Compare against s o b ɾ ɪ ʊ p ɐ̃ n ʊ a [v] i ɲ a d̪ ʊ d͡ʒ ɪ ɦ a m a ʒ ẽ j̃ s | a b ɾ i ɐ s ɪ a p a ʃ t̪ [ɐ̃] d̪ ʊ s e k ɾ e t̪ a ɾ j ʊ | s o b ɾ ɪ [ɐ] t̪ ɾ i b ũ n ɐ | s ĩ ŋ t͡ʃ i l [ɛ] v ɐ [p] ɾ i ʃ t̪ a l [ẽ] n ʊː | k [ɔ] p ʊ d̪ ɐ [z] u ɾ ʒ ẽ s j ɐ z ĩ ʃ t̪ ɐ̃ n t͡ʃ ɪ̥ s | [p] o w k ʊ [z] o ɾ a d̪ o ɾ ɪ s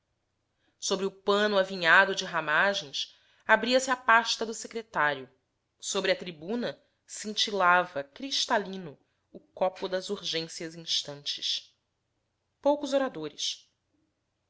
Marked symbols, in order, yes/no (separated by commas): yes, no, yes, no, no, no, yes, yes, yes, yes